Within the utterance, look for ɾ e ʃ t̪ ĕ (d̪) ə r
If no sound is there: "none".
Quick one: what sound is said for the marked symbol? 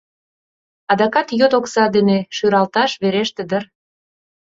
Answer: d̪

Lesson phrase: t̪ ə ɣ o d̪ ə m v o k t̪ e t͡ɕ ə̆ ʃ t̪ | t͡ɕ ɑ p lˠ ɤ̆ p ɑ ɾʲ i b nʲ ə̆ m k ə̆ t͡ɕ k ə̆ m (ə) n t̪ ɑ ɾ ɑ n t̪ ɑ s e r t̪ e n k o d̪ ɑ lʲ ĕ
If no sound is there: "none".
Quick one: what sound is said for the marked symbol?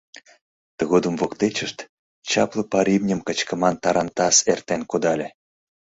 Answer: ɑ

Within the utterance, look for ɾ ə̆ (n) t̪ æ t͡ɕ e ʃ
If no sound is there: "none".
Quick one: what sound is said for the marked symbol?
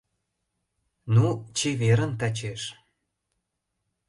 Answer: n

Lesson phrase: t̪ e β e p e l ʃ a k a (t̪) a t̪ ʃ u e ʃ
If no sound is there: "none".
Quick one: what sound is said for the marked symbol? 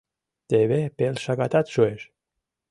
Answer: t̪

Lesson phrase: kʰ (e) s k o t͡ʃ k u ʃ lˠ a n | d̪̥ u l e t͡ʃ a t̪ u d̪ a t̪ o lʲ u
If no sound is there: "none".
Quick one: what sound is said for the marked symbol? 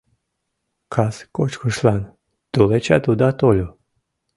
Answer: a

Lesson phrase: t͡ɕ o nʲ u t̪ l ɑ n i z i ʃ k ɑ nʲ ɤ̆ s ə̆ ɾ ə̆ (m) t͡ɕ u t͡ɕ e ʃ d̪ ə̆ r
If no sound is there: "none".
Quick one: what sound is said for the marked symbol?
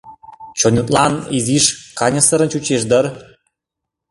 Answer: n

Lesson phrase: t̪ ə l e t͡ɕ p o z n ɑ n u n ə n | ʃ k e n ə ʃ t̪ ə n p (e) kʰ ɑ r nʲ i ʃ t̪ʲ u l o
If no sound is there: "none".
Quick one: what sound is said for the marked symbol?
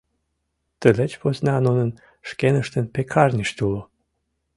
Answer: e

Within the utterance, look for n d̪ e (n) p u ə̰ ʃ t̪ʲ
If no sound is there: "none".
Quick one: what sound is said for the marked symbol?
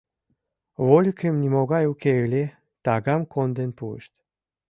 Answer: n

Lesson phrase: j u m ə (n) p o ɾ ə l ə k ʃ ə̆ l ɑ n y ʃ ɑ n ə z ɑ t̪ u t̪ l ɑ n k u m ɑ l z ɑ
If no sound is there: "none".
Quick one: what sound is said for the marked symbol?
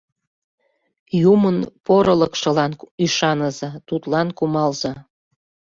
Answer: n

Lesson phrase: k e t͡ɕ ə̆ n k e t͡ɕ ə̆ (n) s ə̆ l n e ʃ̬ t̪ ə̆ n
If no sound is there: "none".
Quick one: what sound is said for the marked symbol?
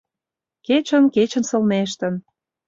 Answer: n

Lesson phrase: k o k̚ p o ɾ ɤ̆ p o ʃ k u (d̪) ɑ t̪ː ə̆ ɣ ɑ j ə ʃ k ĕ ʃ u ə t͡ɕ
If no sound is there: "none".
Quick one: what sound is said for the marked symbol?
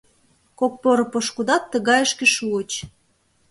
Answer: d̪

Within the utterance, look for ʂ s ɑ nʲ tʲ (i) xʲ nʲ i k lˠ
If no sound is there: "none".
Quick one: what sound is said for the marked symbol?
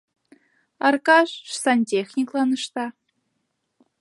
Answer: e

